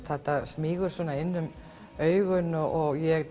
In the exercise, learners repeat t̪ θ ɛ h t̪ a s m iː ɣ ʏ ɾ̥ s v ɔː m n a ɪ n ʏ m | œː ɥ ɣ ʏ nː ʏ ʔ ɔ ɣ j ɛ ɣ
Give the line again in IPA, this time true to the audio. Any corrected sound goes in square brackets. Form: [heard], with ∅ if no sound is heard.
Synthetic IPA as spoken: t̪ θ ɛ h t̪ a s m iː ɣ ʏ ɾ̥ s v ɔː [∅] n a ɪ [nː] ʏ m | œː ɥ ɣ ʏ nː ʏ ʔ ɔ ɣ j ɛ ɣ

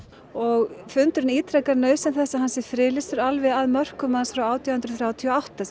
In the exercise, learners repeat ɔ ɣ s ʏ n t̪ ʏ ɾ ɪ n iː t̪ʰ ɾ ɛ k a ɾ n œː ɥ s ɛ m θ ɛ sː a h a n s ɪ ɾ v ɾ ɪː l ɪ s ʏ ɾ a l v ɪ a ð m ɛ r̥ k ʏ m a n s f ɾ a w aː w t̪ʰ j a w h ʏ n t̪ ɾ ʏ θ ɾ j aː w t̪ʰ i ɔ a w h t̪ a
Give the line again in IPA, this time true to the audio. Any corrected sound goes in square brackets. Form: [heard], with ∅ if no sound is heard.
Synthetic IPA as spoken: ɔ ɣ [f] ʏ n t̪ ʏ ɾ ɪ n iː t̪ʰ ɾ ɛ k a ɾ n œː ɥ s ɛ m θ ɛ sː a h a n s ɪ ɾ [f] ɾ ɪː l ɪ s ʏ ɾ a l v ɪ a ð m [œ] r̥ k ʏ m a n s f ɾ a w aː w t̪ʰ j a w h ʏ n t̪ ɾ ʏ θ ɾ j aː w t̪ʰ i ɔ a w h t̪ a

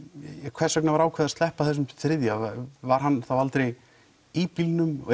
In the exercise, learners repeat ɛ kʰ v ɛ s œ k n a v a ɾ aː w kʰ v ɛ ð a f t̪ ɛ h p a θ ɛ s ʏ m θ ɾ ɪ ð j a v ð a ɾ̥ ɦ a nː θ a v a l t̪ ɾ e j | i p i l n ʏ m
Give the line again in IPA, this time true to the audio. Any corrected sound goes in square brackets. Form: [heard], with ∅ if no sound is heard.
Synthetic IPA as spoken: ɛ kʰ v ɛ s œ k n a v a ɾ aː w kʰ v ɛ ð a [s] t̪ ɛ h p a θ ɛ s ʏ m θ ɾ ɪ ð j a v [v] a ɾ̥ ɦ a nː θ a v a l t̪ ɾ e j | i p i l n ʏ m

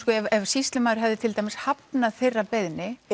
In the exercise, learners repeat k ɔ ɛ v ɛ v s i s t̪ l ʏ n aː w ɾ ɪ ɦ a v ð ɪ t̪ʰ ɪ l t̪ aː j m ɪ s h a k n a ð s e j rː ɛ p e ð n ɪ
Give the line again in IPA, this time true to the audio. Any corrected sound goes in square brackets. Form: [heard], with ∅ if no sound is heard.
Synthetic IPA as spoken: k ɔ ɛ v ɛ v s i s t̪ l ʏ [m] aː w ɾ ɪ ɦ a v ð ɪ t̪ʰ ɪ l t̪ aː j m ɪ s h a [p] n a ð [θ] e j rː [a] p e ð n ɪ

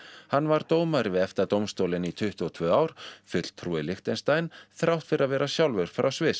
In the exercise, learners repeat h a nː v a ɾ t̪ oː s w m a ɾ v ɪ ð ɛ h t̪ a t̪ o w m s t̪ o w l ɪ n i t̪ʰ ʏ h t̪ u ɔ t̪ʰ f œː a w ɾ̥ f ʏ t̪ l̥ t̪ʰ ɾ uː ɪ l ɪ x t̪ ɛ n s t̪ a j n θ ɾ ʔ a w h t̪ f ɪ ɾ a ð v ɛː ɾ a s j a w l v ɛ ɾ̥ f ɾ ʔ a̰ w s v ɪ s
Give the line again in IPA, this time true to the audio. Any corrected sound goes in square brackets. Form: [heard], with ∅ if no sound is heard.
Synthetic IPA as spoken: h a nː v a ɾ t̪ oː [∅] w m a ɾ v ɪ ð ɛ [f] t̪ a t̪ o w m s t̪ o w l ɪ n i t̪ʰ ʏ h t̪ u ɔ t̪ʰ [v] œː a w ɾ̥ f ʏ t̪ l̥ t̪ʰ ɾ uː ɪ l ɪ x t̪ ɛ n s t̪ a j n θ ɾ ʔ a w h t̪ f ɪ ɾ a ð v ɛː ɾ a s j a w l v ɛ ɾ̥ f ɾ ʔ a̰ w s v ɪ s

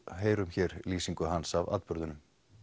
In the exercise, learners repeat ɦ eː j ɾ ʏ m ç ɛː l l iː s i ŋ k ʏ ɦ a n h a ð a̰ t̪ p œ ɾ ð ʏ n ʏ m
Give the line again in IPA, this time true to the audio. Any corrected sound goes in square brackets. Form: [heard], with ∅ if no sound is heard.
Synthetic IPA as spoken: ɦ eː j ɾ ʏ m ç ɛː [ɾ] l iː s i ŋ k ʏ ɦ a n [s] a [v] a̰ t̪ p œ ɾ ð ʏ n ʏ m

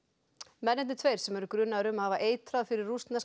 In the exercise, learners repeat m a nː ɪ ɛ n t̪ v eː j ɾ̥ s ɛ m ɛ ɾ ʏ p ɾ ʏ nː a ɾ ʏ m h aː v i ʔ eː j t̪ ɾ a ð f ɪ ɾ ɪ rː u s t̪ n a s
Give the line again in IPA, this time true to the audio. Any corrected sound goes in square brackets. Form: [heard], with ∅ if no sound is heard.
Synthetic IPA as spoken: m [ɛ] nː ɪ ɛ n [t̪ʰ] v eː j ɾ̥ s ɛ m ɛ ɾ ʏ [k] ɾ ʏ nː a ɾ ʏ m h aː v [a] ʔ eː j t̪ ɾ a ð f ɪ ɾ ɪ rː u s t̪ n a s

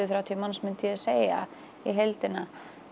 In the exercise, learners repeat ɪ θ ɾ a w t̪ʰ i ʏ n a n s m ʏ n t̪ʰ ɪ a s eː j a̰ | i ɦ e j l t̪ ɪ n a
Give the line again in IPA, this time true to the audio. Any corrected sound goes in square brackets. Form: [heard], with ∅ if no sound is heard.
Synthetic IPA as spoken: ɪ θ ɾ a w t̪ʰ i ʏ [m] a n s m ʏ n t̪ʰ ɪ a s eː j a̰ | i ɦ e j l t̪ ɪ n a

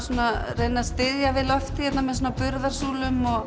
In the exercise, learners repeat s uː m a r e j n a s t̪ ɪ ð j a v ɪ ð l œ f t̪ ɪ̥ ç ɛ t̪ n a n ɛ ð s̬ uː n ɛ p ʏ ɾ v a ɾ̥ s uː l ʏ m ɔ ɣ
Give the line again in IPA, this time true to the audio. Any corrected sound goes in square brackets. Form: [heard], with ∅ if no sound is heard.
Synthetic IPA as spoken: s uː [n] a r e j n a s t̪ ɪ ð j a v ɪ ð l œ f t̪ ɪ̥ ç ɛ t̪ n a [m] ɛ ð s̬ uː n [a] p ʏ ɾ [ð] a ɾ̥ s uː l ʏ m ɔ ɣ

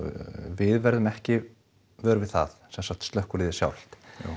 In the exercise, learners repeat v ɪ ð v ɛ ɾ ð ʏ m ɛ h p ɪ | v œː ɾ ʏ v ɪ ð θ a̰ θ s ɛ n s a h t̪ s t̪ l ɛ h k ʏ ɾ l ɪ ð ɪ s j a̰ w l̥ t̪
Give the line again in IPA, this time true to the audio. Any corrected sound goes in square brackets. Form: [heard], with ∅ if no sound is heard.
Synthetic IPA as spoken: v ɪ ð v ɛ ɾ ð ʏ m ɛ h [c] ɪ | v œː ɾ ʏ v ɪ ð θ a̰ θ s ɛ n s a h t̪ s t̪ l [œ] h k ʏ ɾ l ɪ ð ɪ s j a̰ w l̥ t̪

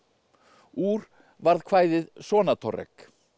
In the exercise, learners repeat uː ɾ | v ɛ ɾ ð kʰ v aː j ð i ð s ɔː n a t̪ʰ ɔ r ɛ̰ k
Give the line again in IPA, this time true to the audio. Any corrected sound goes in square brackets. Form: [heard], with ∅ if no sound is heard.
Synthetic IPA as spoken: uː ɾ | v [a] ɾ ð kʰ v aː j ð [ɪ] ð s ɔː n a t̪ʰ ɔ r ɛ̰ k

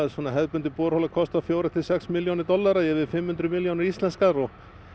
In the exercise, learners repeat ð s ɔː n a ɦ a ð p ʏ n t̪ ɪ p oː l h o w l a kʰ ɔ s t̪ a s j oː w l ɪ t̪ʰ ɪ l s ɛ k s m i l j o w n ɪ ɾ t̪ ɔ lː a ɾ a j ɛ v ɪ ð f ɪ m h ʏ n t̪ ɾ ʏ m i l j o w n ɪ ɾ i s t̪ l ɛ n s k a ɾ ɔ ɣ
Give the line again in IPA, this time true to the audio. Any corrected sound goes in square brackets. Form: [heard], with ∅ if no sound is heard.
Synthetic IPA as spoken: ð s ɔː n a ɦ [ɛ] ð p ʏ n t̪ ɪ p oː [ɾ] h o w l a kʰ ɔ s t̪ a [f] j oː w [ɾ] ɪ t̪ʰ ɪ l s ɛ k s m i l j o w n ɪ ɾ t̪ ɔ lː a ɾ a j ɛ v ɪ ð f ɪ m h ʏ n t̪ ɾ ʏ m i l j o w n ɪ ɾ i s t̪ l ɛ n s k a ɾ ɔ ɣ

